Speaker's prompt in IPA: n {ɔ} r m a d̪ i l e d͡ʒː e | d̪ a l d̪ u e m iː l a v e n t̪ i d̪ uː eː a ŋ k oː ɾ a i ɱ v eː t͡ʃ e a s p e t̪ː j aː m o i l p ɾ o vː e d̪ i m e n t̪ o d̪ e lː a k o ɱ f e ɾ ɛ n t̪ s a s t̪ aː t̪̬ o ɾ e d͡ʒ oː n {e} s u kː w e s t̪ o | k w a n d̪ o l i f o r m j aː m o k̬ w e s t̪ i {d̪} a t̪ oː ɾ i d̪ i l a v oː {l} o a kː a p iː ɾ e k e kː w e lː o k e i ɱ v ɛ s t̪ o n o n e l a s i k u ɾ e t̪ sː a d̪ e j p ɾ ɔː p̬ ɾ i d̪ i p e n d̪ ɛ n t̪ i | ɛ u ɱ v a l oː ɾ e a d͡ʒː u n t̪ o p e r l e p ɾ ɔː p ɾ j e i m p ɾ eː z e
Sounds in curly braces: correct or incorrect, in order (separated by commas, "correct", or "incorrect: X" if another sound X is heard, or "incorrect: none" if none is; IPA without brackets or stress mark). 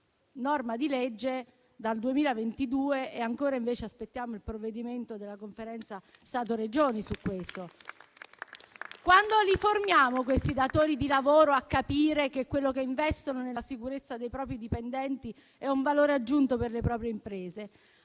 correct, incorrect: i, correct, incorrect: ɾ